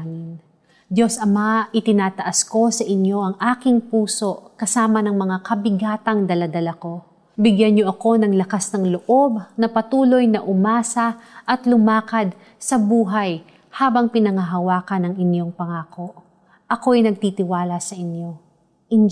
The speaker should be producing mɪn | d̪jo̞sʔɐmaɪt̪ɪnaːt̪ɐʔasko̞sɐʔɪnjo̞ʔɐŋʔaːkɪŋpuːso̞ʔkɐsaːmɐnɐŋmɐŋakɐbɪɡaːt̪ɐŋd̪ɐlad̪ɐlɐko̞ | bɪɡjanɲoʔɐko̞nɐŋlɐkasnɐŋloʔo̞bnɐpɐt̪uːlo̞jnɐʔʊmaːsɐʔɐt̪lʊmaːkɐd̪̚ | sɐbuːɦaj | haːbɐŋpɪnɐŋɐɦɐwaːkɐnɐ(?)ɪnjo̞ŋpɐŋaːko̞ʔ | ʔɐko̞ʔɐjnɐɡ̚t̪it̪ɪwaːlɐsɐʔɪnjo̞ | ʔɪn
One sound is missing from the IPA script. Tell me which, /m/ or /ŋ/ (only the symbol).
ŋ